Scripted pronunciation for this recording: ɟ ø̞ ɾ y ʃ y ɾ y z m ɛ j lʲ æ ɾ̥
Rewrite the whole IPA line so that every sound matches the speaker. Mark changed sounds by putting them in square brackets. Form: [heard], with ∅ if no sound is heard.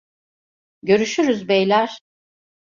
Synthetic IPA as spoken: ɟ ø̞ ɾ y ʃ y ɾ y z [b] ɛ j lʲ æ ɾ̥